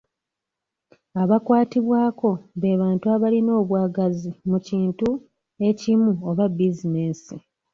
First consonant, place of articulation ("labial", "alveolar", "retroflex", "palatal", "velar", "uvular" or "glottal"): labial